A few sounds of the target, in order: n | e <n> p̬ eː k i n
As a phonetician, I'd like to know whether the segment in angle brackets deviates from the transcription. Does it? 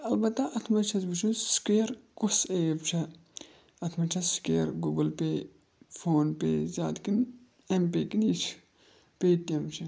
yes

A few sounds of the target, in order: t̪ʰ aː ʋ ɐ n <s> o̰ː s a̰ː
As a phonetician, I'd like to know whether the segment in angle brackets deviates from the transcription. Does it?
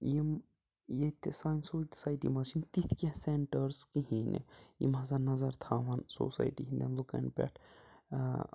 no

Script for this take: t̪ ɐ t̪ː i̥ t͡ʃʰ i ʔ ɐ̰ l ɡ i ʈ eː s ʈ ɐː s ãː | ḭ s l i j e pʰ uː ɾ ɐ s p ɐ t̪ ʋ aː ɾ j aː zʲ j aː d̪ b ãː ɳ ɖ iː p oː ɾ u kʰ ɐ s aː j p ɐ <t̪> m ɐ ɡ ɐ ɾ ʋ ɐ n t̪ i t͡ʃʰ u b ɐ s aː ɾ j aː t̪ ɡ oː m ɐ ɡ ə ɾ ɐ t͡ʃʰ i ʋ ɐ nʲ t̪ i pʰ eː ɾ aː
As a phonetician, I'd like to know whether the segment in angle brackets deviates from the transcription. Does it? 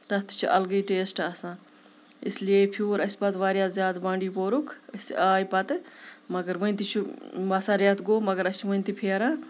no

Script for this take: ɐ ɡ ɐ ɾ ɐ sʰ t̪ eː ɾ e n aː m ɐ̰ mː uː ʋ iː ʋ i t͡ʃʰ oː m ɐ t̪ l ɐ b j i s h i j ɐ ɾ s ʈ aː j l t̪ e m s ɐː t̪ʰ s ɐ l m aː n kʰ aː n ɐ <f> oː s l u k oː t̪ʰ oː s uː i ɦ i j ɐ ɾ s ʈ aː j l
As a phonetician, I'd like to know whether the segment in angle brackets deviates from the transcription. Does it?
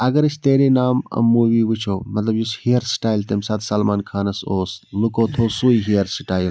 yes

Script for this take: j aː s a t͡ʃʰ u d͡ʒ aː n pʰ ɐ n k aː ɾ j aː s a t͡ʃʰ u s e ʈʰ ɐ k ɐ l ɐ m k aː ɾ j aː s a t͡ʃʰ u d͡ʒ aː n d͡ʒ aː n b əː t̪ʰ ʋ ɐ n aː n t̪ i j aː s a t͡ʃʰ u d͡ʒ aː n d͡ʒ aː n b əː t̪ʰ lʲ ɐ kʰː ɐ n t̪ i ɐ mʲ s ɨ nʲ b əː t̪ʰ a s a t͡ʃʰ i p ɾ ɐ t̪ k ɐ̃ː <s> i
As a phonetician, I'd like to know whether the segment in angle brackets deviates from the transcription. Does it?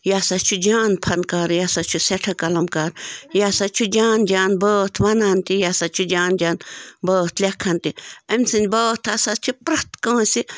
no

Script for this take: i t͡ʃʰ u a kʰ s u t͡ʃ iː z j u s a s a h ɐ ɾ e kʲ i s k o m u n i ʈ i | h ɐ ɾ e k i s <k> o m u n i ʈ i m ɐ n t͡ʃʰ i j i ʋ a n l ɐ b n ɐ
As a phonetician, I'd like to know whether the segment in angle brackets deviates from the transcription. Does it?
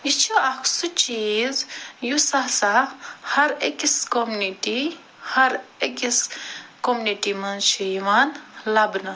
no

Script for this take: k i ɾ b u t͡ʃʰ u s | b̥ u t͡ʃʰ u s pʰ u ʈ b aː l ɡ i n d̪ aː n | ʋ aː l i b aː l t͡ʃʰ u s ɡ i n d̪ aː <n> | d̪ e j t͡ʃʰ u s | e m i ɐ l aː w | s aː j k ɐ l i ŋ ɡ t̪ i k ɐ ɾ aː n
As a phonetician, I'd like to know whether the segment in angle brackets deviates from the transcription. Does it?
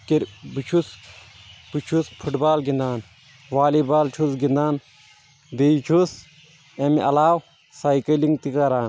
no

